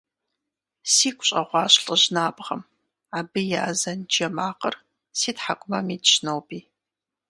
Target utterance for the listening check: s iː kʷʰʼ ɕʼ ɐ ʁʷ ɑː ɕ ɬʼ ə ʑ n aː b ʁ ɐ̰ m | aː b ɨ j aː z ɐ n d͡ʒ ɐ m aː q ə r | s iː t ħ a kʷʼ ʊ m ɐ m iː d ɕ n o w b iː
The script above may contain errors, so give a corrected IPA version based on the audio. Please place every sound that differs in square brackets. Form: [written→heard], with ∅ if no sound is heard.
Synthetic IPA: s iː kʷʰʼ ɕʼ ɐ ʁʷ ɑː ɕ ɬʼ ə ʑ n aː b ʁ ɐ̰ m | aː b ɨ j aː z ɐ n d͡ʒ ɐ m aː q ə r | s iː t ħ a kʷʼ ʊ m ɐ m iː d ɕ n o w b iː